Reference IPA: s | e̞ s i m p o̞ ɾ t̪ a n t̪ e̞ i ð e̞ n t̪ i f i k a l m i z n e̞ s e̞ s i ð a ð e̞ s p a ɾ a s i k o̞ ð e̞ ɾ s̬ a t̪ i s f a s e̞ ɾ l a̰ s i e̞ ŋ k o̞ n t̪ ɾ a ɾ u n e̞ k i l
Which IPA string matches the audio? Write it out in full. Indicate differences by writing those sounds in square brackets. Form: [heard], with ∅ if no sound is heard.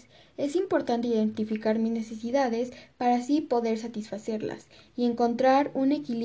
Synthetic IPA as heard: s | e̞ s i m p o̞ ɾ t̪ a n t̪ e̞ i ð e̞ n t̪ i f i k a [ɾ] m i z n e̞ s e̞ s i ð a ð e̞ s p a ɾ a s i [p] o̞ ð e̞ ɾ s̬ a t̪ i s f a s e̞ ɾ l a̰ s i e̞ ŋ k o̞ n t̪ ɾ a ɾ u n e̞ k i l